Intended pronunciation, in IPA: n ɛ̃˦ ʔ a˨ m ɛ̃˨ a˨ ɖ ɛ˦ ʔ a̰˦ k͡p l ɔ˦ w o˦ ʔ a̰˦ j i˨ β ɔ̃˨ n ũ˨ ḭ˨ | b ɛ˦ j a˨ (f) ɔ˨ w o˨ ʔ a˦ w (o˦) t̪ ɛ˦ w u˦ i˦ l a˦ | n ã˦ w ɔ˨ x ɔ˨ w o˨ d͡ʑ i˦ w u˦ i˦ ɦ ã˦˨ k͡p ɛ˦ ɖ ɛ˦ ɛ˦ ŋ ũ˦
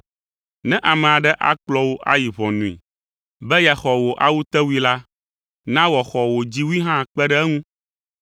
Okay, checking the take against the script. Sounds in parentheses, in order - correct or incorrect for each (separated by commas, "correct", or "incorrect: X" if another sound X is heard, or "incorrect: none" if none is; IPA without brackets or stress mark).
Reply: incorrect: x, incorrect: u˦